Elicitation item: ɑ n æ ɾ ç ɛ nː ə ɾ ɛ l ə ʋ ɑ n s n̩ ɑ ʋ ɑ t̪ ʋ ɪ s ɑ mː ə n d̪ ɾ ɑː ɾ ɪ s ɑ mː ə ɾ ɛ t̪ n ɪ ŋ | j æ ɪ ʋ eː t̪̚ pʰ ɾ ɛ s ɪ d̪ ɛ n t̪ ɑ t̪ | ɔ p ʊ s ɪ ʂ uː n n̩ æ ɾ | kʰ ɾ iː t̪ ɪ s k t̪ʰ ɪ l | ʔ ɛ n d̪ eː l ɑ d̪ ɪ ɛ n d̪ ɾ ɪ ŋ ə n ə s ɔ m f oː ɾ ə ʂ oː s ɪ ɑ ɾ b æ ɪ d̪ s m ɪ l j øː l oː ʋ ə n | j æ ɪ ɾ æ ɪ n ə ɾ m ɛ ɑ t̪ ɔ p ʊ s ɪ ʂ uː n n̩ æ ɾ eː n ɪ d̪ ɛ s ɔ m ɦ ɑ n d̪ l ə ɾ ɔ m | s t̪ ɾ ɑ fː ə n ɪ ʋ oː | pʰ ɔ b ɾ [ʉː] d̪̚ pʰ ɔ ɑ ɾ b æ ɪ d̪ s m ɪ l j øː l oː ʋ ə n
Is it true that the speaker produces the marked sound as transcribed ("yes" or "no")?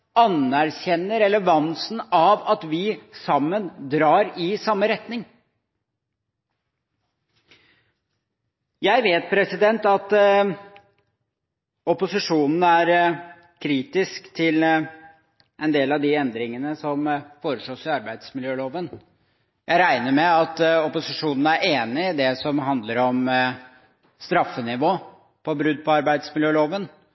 no